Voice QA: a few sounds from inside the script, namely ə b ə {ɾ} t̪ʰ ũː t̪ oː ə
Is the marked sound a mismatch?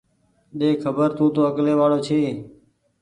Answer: no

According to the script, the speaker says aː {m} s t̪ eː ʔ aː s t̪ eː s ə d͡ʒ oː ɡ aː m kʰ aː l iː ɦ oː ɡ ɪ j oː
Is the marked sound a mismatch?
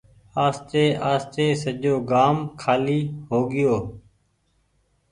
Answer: yes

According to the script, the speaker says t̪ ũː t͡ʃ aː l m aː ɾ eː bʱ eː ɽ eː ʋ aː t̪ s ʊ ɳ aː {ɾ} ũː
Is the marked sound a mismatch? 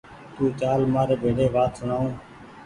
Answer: yes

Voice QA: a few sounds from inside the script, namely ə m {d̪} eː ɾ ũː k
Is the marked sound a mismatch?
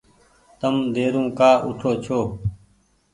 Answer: no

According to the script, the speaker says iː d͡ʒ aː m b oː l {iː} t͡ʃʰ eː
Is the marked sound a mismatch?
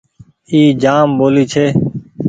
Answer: no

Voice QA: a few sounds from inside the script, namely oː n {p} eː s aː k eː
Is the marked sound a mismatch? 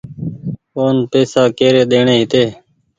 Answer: no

